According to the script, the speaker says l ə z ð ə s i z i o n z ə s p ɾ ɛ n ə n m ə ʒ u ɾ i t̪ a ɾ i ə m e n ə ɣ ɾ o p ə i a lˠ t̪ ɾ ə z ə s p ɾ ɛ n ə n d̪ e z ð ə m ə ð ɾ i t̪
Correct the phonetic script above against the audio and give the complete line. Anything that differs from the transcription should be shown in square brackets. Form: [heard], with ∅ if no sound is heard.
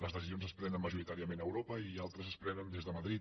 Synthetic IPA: l ə z ð ə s i z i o n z ə s p ɾ ɛ n ə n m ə ʒ u ɾ i t̪ a ɾ i ə m e n ə [w] ɾ o p ə i a lˠ t̪ ɾ ə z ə s p ɾ ɛ n ə n d̪ e z ð ə m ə ð ɾ i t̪